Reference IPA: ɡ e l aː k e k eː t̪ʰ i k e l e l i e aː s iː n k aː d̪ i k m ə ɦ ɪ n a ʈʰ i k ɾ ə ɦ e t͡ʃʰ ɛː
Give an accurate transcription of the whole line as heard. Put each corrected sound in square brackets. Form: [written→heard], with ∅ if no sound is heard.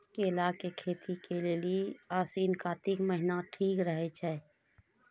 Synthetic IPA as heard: [ɡ→k] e l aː k e [k→kʰ] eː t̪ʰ i k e l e l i e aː s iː n k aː [d̪→t̪] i k m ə ɦ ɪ n a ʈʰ [i→iː] k ɾ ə ɦ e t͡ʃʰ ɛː